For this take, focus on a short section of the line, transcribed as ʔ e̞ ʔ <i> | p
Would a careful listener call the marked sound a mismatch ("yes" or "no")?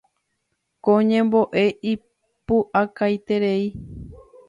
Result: no